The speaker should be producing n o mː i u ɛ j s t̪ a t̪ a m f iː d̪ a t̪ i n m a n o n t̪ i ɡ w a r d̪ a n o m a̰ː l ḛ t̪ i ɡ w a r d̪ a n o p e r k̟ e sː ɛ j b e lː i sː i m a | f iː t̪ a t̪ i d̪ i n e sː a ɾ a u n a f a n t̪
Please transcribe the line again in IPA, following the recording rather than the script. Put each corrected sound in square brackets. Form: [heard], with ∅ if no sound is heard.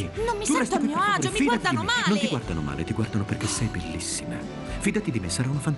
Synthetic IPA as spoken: n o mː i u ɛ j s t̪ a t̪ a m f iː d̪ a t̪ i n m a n o n t̪ i ɡ w a r d̪ a n o m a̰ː l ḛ t̪ i ɡ w a r d̪ a n o p e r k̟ e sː ɛ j b e lː i sː i m a | f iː [d̪] a t̪ i d̪ i [m] e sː a ɾ a u n a f a n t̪